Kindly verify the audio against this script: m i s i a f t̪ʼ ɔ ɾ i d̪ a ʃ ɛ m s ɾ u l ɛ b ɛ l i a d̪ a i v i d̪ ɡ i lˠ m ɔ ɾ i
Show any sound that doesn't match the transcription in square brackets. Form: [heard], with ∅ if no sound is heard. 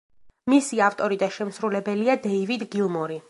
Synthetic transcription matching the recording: m i s i a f t̪ʼ ɔ ɾ i d̪ a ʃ ɛ m s ɾ u l ɛ b ɛ l i a d̪ [ɛ] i v i d̪ ɡ i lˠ m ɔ ɾ i